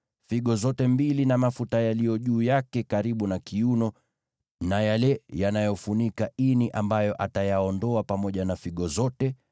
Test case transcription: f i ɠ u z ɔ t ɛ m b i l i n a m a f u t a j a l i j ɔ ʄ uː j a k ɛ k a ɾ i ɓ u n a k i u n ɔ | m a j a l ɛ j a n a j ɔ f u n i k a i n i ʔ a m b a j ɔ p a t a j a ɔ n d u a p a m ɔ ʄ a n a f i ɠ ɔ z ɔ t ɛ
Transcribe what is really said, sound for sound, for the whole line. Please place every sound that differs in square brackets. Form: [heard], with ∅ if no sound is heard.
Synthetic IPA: f i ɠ [ɔ] z ɔ t ɛ m b i l i n a m a f u t a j a l i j ɔ ʄ uː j a k ɛ k a ɾ i ɓ u n a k i u n ɔ | [n] a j a l ɛ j a n a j ɔ f u n i k a i n i ʔ a m b a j ɔ [ʔ] a t a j a ɔ n d [ɔ] a p a m ɔ ʄ a n a f i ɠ ɔ z ɔ t ɛ